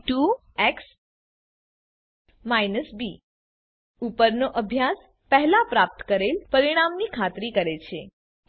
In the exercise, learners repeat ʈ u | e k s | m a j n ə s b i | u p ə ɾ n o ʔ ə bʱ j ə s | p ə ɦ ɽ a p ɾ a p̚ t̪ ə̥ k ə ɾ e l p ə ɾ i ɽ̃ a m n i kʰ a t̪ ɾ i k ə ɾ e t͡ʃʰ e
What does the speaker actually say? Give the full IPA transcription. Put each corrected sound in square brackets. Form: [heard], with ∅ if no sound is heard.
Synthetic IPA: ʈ u | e k s | m a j n ə s b i | u p ə ɾ n o ʔ ə bʱ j [a] s | p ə ɦ [l] a p ɾ a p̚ t̪ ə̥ k ə ɾ e l p ə ɾ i ɽ̃ a m n i kʰ a t̪ ɾ i k ə ɾ e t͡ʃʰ e

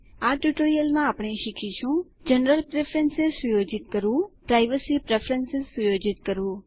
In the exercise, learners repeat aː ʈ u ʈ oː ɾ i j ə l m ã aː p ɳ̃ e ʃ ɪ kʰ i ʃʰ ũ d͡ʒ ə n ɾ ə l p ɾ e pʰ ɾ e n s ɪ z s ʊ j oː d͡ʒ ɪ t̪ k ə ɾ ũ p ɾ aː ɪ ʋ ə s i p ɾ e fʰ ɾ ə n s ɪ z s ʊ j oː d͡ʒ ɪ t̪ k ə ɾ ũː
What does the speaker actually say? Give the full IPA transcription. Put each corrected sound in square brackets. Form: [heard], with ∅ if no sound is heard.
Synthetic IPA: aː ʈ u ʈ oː ɾ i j ə l m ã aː p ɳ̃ e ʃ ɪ kʰ i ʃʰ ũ d͡ʒ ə n ɾ ə l p ɾ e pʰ ɾ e n s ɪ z s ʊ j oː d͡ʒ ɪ t̪ k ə ɾ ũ p ɾ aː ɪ ʋ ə s i p ɾ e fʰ ɾ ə n s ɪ z s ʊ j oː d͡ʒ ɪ t̪ k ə ɾ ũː

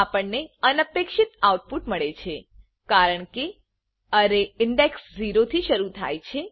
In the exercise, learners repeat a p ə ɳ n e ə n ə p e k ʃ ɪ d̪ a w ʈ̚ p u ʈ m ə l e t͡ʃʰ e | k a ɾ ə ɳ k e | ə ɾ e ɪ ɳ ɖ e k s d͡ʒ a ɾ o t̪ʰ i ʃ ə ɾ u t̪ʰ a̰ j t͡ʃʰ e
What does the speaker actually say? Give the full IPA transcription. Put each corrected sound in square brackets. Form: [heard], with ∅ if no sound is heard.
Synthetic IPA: a p ə ɳ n e ə n ə p e k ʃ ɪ [t̪] a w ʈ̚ p u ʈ m ə [ɭ] e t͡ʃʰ e | k a ɾ ə ɳ k e | ə ɾ e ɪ ɳ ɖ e k s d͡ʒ [i] ɾ o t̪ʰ i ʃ ə ɾ u t̪ʰ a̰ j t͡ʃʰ e

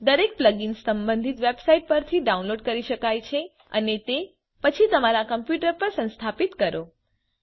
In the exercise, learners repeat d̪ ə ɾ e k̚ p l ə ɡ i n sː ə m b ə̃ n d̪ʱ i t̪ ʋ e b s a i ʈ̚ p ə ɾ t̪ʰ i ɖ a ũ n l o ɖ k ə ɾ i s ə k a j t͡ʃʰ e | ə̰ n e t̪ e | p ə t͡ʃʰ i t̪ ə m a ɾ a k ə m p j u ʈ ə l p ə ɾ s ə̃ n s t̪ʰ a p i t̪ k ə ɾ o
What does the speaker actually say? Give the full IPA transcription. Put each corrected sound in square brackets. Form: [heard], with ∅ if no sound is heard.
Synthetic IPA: d̪ ə ɾ e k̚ p l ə ɡ i n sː ə m b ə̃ n d̪ʱ i t̪ ʋ e b s a i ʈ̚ p ə ɾ t̪ʰ i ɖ a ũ n l o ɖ k ə ɾ i [ʃ] ə k a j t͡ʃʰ e | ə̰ n e t̪ e | p ə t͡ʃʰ i t̪ ə m a ɾ a k ə m p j u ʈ ə [ɾ] p ə ɾ s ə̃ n s t̪ʰ a p i t̪ k ə ɾ o

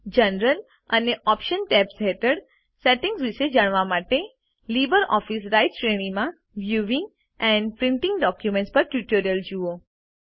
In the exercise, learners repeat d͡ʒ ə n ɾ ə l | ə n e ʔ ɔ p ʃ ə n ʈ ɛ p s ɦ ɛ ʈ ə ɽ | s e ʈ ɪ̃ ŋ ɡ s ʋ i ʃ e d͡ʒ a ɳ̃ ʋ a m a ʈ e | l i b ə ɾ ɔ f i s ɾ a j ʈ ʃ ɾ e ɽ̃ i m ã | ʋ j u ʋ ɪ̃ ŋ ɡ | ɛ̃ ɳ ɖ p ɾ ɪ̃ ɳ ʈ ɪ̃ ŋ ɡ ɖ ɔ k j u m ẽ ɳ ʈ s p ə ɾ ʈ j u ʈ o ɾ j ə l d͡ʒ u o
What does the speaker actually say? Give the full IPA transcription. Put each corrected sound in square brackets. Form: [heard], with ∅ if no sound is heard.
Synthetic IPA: d͡ʒ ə n ɾ ə l | ə n e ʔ ɔ p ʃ ə n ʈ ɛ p s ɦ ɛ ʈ ə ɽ | s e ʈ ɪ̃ ŋ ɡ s ʋ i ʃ e d͡ʒ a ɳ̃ ʋ a m a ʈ e | l i b ə ɾ ɔ f i s ɾ a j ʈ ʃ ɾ e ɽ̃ i m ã | ʋ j u ʋ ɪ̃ ŋ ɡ | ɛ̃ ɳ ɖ p ɾ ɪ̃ ɳ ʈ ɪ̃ ŋ ɡ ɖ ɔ k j u m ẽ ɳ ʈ s p ə ɾ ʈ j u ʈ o ɾ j ə l d͡ʒ u o

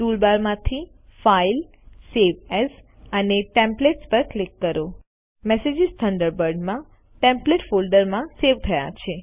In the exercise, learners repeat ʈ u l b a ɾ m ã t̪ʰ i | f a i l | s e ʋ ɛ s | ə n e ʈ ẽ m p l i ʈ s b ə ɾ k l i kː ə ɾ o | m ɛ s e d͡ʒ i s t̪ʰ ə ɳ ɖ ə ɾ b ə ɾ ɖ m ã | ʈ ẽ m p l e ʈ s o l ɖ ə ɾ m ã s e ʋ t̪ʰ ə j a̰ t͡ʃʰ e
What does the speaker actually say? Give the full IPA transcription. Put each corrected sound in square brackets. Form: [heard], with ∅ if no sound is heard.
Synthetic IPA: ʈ u l b a ɾ m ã t̪ʰ i | f a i l | s e ʋ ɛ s | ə n e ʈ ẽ m p l [e] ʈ s [p] ə ɾ k l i kː ə ɾ o | m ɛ s e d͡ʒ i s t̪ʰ ə ɳ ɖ ə ɾ b ə ɾ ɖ m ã | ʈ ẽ m p l e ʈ [f] o l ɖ ə ɾ m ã s e ʋ t̪ʰ ə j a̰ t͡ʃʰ e

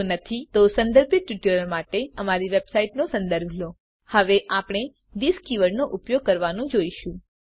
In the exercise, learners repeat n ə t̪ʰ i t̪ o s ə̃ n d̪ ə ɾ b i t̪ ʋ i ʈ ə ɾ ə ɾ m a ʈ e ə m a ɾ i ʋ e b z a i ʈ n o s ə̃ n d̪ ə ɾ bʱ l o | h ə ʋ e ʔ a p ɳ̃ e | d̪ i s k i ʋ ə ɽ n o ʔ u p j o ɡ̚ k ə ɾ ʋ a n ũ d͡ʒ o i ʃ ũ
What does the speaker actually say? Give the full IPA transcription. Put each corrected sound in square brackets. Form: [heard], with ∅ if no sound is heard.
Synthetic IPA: n ə t̪ʰ i t̪ o s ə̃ n d̪ ə ɾ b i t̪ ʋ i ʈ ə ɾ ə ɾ m a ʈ e ə m a ɾ i ʋ e b [s] a i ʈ n o s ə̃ n d̪ ə ɾ bʱ l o | h ə ʋ e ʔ a p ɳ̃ e | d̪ i s k i ʋ ə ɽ n o ʔ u p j o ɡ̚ k ə ɾ ʋ a n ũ d͡ʒ o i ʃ ũ

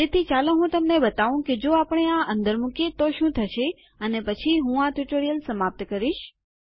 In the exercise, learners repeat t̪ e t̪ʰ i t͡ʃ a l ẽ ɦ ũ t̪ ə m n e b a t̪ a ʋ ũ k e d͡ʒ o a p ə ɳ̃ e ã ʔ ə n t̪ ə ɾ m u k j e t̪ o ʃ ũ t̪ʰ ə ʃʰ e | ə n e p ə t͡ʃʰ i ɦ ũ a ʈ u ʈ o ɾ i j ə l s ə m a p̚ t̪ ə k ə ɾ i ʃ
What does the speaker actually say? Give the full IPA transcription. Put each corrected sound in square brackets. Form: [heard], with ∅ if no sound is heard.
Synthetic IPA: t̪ e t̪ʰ i t͡ʃ a l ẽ ɦ ũ t̪ ə m n e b [ə] t̪ a ʋ ũ k e d͡ʒ o a p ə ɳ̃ e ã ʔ ə n [d̪] ə ɾ m u k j e t̪ o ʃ ũ t̪ʰ ə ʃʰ e | ə n e p ə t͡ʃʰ i ɦ ũ a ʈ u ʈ o ɾ i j ə l s ə m a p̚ t̪ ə k ə ɾ i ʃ

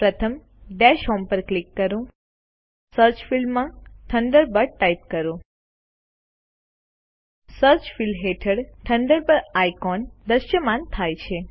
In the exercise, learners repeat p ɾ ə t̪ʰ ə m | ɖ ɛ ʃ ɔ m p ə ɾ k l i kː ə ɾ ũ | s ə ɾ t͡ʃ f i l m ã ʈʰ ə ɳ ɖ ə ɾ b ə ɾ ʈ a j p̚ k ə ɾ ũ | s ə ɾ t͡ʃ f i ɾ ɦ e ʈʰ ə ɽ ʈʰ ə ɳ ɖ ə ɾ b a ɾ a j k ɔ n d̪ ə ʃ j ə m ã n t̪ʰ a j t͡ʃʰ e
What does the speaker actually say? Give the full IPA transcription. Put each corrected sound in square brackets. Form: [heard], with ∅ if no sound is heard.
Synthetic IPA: p ɾ ə t̪ʰ ə m | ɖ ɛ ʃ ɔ m p ə ɾ k l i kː ə ɾ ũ | s ə ɾ t͡ʃ f i l m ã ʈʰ ə ɳ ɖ ə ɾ b ə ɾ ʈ a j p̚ k ə ɾ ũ | s ə ɾ t͡ʃ f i [l] ɦ e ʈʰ ə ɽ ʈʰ ə ɳ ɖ ə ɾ b [ə] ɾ a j k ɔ n d̪ ə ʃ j ə m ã n t̪ʰ a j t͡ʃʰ e

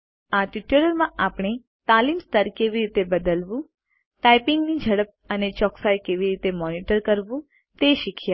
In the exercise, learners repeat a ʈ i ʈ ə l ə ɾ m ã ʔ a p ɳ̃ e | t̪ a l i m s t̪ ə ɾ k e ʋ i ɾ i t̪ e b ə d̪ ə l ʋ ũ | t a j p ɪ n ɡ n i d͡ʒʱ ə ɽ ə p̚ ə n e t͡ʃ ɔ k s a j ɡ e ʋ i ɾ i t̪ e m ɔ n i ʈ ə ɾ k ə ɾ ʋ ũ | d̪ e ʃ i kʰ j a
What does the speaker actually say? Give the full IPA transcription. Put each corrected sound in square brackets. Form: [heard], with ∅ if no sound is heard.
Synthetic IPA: a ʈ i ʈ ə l ə ɾ m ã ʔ a p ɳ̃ e | t̪ a l i m s t̪ ə ɾ k e ʋ i ɾ i t̪ e b ə d̪ ə l ʋ ũ | t a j p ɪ [ŋ] ɡ n i d͡ʒʱ ə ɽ ə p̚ ə n e t͡ʃ ɔ k s a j [k] e ʋ i ɾ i t̪ e m ɔ n i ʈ ə ɾ k ə ɾ ʋ ũ | [t̪] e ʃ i kʰ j a

